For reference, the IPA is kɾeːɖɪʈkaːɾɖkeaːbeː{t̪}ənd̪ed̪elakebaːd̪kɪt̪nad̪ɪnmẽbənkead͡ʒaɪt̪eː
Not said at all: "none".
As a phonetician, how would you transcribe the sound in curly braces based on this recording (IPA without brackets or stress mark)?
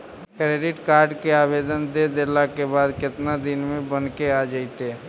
d̪